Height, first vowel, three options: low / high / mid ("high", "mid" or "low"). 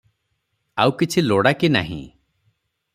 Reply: low